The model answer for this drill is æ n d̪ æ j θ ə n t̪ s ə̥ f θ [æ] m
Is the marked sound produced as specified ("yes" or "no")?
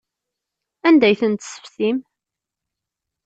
no